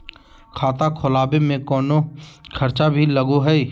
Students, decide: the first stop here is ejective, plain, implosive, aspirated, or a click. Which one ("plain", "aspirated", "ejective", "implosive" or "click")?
aspirated